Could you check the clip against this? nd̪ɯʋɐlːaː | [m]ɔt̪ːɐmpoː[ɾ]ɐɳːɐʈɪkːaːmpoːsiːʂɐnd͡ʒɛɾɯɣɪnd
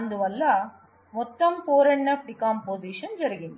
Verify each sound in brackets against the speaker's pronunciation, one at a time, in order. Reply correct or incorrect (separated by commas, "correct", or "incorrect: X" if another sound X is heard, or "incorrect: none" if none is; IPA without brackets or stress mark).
correct, correct